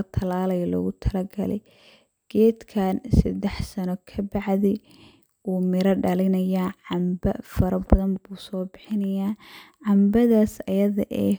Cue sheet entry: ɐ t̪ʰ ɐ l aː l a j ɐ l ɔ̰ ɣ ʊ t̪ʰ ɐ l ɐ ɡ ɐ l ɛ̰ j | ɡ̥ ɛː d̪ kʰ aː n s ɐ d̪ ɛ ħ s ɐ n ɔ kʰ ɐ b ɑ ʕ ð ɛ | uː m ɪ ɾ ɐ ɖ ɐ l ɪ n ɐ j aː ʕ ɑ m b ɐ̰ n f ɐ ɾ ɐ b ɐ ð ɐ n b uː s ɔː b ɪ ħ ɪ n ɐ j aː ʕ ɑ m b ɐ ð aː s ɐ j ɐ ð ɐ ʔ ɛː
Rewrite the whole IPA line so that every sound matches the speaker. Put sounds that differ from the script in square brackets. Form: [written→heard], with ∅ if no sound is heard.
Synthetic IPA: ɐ t̪ʰ ɐ l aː l [a→ɐ] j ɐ l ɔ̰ ɣ ʊ t̪ʰ ɐ l ɐ ɡ ɐ l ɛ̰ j | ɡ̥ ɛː d̪ kʰ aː n s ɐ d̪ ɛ ħ s ɐ n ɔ kʰ ɐ b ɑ ʕ ð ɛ | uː m ɪ ɾ ɐ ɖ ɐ l ɪ n ɐ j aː ʕ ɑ m b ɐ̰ [n→∅] f ɐ ɾ ɐ b ɐ ð ɐ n b uː s ɔː b ɪ ħ ɪ n ɐ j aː ʕ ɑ m b ɐ ð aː s ɐ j ɐ ð ɐ ʔ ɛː